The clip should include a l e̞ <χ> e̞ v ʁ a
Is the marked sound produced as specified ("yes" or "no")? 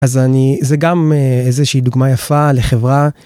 yes